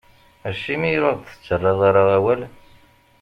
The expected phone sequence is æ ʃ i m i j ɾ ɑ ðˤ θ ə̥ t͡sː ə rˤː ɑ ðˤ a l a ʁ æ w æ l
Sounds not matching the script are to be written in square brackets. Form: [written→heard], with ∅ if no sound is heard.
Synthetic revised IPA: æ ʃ i m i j ɾ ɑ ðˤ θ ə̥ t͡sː ə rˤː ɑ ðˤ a [l→ɾ] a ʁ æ w æ l